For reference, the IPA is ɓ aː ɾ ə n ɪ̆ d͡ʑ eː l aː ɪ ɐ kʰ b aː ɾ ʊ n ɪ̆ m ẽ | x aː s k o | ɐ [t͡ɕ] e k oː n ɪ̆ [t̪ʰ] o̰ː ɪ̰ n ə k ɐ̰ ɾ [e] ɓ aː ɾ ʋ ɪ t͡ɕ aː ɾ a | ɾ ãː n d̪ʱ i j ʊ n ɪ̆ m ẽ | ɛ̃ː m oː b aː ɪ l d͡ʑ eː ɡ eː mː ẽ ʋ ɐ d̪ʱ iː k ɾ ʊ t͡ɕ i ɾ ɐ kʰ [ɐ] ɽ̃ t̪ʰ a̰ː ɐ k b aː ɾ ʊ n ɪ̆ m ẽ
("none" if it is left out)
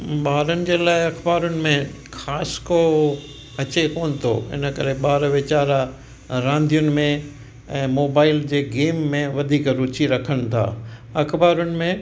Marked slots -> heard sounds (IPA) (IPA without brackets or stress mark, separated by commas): t͡ɕ, t̪ʰ, e, ə